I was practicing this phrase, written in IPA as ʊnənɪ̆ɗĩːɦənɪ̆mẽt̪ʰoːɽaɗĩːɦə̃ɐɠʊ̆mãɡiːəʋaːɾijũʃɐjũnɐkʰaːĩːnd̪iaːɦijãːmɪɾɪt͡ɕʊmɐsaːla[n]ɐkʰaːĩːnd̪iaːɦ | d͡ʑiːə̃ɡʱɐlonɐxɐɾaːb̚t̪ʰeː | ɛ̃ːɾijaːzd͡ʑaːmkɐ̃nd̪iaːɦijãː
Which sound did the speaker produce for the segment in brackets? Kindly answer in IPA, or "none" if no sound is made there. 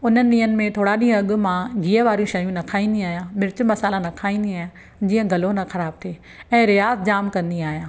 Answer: n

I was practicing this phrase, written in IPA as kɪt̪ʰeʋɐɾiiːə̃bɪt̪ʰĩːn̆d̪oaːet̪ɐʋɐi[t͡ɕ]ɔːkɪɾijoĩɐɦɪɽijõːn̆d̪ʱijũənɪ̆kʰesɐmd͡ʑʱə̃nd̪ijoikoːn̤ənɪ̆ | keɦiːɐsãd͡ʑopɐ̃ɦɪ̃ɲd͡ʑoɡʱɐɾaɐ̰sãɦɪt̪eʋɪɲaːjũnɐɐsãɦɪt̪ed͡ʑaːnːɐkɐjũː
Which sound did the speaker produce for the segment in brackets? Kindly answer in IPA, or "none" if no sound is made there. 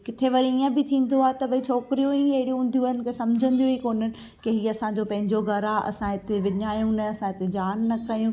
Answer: t͡ɕʰ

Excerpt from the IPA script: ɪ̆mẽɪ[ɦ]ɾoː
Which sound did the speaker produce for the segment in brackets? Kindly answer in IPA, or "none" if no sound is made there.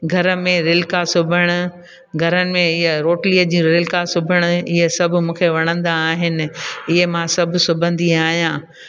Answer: ɦ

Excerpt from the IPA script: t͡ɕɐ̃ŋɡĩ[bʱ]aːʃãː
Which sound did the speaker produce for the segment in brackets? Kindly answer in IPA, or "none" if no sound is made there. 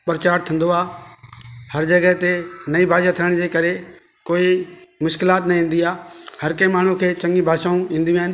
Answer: bʱ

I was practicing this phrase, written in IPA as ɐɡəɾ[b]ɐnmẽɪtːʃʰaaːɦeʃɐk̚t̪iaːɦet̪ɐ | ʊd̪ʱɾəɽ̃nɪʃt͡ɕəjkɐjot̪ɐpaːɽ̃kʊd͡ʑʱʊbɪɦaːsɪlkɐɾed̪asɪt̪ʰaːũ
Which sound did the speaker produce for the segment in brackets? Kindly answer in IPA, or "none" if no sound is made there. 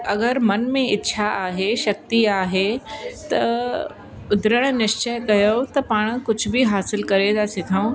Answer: m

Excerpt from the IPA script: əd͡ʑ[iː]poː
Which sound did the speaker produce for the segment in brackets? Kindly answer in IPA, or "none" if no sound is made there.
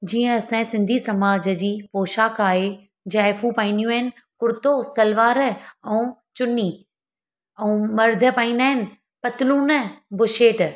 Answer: iː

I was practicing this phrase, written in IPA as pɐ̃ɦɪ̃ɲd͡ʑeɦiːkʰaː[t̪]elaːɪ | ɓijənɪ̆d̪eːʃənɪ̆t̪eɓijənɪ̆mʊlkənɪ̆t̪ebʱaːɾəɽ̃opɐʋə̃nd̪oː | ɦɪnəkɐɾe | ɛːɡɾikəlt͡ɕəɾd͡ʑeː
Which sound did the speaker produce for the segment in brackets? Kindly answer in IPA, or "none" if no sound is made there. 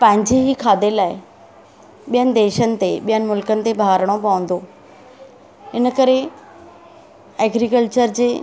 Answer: d̪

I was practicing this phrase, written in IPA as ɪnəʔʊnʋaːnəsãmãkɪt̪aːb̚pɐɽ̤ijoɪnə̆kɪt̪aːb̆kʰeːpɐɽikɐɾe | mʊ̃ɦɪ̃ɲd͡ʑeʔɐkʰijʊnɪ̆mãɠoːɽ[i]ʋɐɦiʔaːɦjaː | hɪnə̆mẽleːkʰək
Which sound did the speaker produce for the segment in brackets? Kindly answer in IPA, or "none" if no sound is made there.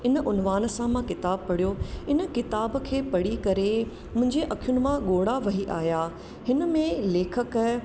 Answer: a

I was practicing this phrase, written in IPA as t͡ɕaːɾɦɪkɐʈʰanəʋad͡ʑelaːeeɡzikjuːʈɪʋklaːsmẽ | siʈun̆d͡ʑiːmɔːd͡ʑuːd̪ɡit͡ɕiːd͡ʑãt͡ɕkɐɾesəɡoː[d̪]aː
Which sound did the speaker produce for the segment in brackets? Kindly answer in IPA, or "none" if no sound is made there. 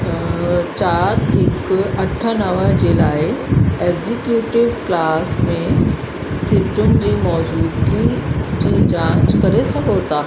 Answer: t̪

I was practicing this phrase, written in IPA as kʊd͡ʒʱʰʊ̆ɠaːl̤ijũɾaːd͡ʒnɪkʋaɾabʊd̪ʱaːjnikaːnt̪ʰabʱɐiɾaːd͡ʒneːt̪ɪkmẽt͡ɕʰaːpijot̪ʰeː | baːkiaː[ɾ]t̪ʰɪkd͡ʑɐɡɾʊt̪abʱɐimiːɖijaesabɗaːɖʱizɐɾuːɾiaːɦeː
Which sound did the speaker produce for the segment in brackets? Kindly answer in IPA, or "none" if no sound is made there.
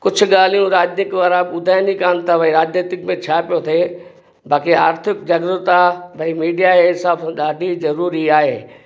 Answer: ɾ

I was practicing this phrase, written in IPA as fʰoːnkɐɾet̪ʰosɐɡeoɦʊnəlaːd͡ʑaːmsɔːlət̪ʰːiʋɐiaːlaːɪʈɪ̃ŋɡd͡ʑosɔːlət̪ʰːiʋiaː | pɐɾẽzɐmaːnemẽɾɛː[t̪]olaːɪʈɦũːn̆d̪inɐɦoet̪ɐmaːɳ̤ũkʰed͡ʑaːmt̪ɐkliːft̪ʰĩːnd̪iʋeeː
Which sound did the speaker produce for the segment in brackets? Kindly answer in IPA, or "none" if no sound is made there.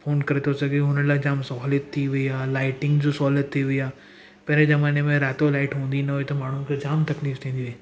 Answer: t̪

